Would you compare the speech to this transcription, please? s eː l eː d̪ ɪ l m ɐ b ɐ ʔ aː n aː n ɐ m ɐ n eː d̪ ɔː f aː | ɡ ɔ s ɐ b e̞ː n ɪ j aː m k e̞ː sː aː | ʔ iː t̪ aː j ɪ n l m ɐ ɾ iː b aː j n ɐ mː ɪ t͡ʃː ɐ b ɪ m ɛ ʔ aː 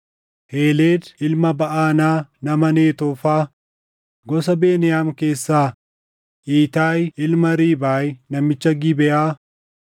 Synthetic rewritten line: h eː l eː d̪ ɪ l m ɐ b ɐ ʔ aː n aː n ɐ m ɐ n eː t̪ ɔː f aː | ɡ ɔ s ɐ b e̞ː n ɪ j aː m k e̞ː sː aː | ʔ iː t̪ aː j ɪ l m ɐ ɾ iː b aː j n ɐ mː ɪ t͡ʃː ɐ ɡ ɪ b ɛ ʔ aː